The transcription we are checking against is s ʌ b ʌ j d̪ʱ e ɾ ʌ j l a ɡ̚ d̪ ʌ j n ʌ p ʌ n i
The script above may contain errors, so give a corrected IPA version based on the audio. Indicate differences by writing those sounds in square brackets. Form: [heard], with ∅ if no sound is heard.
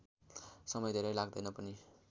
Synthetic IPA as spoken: s ʌ [m] ʌ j d̪ʱ e ɾ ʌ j l a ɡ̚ d̪ ʌ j n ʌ p ʌ n i